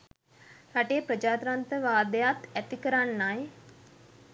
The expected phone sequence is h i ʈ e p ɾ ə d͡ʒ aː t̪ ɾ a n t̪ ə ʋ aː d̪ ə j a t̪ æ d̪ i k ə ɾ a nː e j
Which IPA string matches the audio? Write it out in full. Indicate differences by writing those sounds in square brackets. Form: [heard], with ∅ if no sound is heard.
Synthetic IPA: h [a] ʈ e p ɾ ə d͡ʒ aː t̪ ɾ a n t̪ ə ʋ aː d̪ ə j a t̪ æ [t̪] i k ə ɾ a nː [a] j